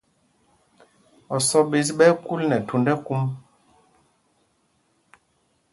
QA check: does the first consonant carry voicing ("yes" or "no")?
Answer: no